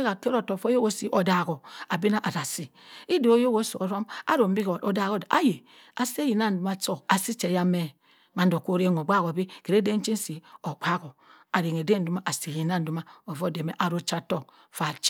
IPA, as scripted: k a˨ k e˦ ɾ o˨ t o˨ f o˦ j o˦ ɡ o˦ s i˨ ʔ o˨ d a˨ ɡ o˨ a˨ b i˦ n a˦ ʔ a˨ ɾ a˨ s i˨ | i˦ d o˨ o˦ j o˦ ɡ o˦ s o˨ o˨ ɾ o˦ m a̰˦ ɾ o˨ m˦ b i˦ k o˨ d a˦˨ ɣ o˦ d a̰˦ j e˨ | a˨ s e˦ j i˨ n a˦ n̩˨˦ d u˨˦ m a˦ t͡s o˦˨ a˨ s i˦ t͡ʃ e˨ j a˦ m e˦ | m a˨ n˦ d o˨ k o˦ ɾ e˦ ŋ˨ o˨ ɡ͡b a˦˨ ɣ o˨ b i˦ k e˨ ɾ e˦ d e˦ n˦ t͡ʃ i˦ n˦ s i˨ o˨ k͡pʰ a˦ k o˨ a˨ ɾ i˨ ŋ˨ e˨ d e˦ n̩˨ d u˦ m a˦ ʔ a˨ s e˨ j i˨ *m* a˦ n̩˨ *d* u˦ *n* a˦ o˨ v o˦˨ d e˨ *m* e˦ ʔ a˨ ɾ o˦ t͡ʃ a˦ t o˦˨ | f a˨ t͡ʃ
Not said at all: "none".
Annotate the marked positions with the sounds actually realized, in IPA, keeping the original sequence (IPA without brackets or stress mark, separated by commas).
n, d, m, m